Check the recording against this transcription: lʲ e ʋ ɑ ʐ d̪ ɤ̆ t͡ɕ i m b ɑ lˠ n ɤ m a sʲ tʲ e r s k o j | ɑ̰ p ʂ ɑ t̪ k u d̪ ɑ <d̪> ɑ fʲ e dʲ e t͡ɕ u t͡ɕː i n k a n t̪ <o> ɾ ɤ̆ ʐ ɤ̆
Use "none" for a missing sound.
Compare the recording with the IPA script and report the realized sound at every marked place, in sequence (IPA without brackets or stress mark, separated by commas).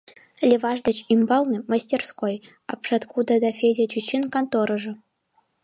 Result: d̪, o